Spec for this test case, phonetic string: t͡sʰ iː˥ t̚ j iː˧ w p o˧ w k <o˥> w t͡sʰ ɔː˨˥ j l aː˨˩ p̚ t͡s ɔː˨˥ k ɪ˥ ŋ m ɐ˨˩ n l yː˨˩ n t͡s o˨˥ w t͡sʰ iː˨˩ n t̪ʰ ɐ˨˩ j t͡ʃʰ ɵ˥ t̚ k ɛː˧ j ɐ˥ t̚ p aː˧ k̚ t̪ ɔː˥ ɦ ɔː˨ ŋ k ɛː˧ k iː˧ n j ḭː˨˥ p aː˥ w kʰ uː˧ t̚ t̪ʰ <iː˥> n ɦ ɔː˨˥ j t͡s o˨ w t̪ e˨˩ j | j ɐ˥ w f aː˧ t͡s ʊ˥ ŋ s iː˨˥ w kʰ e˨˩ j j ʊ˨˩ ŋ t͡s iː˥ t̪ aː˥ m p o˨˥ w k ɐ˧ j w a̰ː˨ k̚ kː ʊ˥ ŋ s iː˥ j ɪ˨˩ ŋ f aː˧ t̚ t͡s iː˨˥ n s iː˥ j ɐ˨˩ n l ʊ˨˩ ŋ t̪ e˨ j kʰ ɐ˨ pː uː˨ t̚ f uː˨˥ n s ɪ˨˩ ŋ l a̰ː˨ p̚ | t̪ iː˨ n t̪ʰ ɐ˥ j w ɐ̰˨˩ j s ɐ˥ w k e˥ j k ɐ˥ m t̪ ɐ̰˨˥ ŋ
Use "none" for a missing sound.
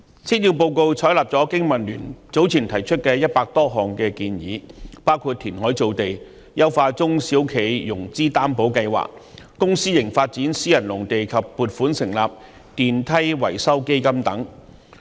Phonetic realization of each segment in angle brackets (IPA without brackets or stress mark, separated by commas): o˧, iː˨˩